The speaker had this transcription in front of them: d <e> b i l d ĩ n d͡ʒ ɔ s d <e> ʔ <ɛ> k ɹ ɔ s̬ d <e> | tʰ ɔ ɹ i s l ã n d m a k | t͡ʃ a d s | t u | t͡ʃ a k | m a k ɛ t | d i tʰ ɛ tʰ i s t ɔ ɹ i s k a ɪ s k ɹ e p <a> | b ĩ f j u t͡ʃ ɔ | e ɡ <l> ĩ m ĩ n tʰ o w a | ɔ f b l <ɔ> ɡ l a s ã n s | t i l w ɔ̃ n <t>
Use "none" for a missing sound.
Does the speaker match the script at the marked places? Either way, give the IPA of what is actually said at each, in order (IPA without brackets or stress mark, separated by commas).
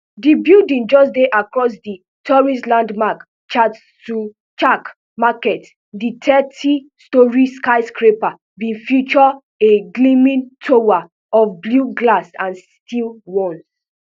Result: i, e, a, i, a, l, u, s